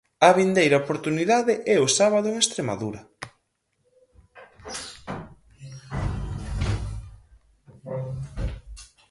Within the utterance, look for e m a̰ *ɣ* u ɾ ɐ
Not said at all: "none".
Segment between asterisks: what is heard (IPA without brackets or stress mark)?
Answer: ð